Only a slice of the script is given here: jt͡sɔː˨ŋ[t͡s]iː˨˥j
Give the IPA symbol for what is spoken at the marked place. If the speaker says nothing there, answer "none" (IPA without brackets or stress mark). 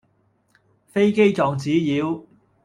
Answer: t͡s